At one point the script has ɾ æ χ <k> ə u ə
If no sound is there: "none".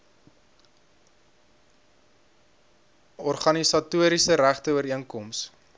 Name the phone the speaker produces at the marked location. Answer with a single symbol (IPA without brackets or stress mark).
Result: t